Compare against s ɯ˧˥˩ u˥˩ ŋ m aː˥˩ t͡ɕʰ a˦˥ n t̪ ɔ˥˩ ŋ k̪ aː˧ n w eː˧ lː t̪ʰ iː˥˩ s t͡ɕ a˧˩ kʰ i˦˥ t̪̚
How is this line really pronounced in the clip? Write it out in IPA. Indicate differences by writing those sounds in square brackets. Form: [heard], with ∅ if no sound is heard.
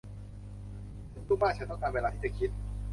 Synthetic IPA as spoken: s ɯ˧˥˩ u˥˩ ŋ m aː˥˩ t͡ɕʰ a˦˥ n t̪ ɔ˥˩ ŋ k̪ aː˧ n w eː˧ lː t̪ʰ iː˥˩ [∅] t͡ɕ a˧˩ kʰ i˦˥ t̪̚